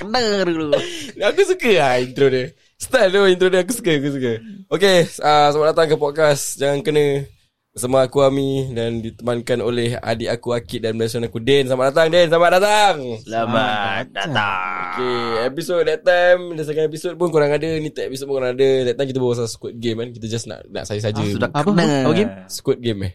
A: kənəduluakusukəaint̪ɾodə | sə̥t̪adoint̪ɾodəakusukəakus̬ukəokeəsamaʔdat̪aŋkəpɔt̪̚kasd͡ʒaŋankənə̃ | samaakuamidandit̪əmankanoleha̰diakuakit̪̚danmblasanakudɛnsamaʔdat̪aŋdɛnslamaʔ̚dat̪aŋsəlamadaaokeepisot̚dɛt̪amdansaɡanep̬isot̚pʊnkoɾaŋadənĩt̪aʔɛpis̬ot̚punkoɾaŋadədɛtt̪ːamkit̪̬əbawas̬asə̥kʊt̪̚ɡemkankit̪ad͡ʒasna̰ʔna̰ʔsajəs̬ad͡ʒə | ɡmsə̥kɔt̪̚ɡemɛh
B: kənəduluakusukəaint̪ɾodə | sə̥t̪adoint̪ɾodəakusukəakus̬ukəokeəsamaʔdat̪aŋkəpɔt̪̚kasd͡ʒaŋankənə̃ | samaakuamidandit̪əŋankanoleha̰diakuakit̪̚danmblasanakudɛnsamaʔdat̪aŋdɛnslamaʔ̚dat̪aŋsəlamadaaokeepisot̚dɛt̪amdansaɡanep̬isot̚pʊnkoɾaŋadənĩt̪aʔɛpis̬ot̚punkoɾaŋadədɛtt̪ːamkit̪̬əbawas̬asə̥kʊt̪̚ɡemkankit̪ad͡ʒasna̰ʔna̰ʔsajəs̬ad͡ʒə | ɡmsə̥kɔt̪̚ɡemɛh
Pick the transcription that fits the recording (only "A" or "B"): A